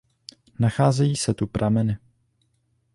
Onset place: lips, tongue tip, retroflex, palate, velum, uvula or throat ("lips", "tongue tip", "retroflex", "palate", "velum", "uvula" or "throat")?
tongue tip